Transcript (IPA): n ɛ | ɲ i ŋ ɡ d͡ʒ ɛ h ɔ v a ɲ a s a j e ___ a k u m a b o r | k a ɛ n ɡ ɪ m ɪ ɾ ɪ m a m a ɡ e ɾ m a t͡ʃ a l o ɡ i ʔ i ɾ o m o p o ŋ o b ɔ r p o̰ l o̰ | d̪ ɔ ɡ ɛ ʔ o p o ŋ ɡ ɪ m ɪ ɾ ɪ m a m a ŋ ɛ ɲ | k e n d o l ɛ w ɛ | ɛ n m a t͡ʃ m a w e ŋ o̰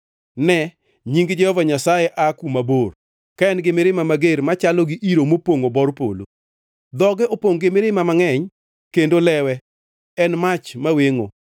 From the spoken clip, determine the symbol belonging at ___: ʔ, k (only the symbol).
ʔ